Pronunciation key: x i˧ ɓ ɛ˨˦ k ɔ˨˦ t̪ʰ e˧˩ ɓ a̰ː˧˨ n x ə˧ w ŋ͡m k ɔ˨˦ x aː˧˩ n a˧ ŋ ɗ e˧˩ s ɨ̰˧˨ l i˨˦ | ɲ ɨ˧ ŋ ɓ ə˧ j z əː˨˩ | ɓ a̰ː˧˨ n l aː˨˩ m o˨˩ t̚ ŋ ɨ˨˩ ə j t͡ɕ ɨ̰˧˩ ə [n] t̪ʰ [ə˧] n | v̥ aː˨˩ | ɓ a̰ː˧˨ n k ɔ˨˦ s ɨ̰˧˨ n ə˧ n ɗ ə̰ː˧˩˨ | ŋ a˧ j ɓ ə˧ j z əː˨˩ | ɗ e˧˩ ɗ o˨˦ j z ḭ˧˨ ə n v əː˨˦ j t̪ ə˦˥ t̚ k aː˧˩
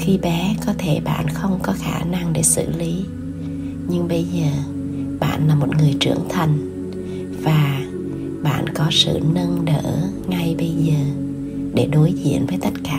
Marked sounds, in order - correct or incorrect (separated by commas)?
incorrect, incorrect